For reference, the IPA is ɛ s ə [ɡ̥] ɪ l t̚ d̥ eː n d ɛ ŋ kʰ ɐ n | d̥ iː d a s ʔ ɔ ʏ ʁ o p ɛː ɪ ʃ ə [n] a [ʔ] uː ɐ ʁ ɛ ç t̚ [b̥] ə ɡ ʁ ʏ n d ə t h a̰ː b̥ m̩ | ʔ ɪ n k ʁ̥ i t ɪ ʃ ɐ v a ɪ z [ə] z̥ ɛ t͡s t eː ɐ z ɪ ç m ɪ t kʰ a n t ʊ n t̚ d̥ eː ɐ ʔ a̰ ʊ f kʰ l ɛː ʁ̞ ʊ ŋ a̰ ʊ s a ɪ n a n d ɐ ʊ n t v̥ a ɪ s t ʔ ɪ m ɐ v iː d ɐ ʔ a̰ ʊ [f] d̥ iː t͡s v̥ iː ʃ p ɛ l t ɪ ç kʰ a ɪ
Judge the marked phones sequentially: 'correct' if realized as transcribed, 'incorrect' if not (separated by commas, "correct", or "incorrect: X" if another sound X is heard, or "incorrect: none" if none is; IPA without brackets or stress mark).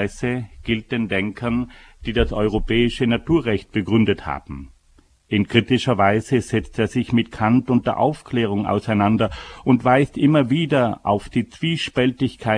correct, correct, incorrect: t, correct, correct, correct